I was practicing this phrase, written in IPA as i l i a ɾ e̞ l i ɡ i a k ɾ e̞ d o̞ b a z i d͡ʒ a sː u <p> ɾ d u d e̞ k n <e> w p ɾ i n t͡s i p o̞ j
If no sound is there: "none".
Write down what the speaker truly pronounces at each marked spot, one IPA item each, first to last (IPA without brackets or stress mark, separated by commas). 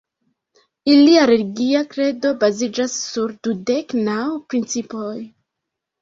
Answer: none, a